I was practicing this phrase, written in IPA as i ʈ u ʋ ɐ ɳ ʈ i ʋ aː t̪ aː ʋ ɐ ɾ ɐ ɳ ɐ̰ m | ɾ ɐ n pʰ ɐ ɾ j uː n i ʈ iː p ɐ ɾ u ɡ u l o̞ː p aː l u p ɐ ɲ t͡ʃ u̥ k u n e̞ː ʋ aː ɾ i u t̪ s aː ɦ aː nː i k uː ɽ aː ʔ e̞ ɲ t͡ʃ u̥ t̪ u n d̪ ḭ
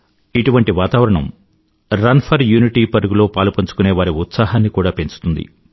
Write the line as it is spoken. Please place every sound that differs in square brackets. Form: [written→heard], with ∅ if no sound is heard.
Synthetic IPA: i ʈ u ʋ ɐ ɳ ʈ i ʋ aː t̪ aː ʋ ɐ ɾ ɐ ɳ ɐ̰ m | ɾ ɐ n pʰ ɐ ɾ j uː n i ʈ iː p ɐ ɾ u ɡ u l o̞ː p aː l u p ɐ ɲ t͡ʃ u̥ k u n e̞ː ʋ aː ɾ i u t̪ s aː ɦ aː nː i k uː ɽ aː [ʔ→p] e̞ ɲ t͡ʃ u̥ t̪ u n d̪ ḭ